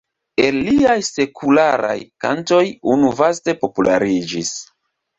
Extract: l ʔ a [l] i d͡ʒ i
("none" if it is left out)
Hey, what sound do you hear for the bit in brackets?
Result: ɾ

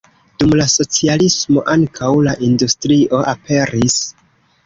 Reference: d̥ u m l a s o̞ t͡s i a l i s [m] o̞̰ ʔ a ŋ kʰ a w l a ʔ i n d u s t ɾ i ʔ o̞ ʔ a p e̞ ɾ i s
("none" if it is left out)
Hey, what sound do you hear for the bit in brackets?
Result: m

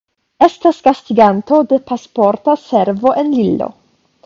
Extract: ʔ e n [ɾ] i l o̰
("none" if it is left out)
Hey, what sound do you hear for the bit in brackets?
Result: l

